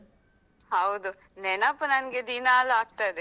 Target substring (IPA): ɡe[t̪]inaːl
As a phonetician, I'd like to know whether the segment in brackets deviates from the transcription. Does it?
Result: yes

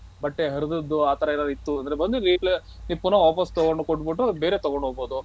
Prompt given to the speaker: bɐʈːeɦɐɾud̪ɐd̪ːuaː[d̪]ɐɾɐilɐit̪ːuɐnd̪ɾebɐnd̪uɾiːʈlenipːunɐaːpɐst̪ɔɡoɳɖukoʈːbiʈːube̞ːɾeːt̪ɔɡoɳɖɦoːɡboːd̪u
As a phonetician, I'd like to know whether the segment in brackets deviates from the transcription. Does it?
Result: yes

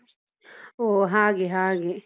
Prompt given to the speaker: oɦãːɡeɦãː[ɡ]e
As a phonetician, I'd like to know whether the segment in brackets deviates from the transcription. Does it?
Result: no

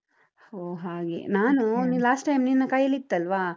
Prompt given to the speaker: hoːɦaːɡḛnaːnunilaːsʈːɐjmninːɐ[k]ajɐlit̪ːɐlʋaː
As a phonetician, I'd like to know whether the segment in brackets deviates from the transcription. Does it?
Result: no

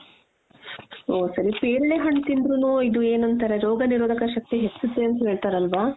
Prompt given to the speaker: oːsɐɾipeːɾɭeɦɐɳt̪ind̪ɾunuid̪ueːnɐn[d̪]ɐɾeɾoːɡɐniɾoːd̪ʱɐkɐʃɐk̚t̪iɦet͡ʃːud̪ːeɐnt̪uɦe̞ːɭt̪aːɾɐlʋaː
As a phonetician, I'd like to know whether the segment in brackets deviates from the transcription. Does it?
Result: yes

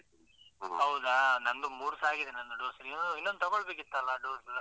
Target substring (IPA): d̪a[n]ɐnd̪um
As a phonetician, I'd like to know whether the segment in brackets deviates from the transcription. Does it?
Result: no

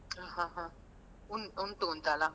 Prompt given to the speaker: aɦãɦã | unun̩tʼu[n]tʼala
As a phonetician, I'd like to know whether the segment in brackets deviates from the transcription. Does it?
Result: no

